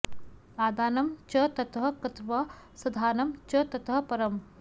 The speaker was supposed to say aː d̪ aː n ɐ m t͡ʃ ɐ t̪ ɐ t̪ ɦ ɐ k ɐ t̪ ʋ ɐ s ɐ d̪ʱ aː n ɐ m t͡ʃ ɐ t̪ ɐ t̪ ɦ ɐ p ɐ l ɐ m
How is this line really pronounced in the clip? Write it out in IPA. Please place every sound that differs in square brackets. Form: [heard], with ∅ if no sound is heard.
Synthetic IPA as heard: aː d̪ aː n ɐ m t͡ʃ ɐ t̪ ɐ t̪ ɦ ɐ k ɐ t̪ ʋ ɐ s ɐ d̪ʱ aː n ɐ m t͡ʃ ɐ t̪ ɐ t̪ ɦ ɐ p ɐ [ɾ] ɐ m